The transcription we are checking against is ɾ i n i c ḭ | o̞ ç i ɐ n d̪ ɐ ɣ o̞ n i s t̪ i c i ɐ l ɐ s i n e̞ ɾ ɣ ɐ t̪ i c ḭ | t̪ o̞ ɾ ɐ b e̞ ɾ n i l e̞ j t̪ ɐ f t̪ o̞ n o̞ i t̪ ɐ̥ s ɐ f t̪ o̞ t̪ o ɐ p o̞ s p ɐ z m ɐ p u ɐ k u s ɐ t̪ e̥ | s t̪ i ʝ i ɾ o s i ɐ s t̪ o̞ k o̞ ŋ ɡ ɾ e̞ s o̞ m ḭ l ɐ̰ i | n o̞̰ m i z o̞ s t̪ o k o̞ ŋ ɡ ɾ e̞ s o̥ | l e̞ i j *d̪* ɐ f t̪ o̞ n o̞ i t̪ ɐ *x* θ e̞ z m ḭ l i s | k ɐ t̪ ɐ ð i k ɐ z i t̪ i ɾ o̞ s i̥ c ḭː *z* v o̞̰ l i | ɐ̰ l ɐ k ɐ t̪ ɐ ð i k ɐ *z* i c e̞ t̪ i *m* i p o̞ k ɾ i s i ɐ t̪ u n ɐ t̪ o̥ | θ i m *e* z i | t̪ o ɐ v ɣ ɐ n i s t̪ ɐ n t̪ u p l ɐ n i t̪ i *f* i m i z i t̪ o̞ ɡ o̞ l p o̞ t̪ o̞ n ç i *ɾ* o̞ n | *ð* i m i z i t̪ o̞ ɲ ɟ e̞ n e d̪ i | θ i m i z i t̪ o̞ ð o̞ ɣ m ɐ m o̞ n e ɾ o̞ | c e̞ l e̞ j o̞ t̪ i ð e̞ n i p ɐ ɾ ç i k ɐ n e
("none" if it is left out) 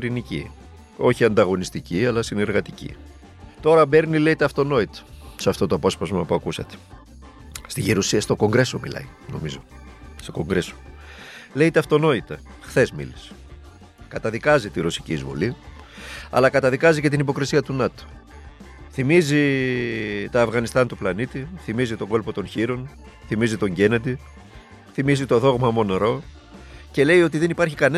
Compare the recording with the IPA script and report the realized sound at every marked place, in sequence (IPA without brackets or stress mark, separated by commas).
t̪, x, z, z, n, i, θ, ɾ, θ